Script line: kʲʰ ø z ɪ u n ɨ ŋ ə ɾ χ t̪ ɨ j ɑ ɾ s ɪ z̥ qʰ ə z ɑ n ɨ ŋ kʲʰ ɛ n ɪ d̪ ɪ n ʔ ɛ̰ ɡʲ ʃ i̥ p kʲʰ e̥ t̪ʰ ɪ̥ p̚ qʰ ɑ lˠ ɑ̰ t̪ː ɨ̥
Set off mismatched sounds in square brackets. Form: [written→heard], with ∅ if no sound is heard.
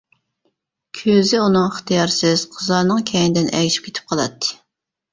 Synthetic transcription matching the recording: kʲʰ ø z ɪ u n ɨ ŋ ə [ɾ→∅] χ t̪ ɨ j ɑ ɾ s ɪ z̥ qʰ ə z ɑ n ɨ ŋ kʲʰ ɛ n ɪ d̪ ɪ n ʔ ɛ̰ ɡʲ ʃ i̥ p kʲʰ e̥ t̪ʰ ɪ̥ p̚ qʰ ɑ lˠ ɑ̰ t̪ː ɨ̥

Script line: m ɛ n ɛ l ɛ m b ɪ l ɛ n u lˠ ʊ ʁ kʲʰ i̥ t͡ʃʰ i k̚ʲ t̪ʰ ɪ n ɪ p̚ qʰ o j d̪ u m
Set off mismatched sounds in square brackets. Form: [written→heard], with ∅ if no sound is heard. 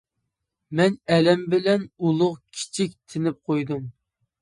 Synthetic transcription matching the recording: m ɛ n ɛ l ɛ m b ɪ l ɛ n u lˠ ʊ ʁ kʲʰ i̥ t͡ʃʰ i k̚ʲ t̪ʰ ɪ n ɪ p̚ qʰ o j d̪ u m

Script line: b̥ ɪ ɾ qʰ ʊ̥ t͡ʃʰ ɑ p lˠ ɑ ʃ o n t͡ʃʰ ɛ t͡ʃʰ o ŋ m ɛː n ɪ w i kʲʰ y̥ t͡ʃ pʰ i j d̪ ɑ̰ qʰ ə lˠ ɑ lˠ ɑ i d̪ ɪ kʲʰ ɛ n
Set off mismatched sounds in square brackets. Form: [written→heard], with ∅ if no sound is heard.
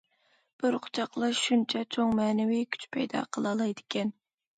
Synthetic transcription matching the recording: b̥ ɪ ɾ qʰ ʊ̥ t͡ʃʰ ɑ [p→q] lˠ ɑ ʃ [o→u] n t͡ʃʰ ɛ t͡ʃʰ o ŋ m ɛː n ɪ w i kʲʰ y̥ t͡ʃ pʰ [i→ɛ] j d̪ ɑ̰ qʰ ə lˠ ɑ lˠ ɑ [i→j] d̪ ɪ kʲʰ ɛ n

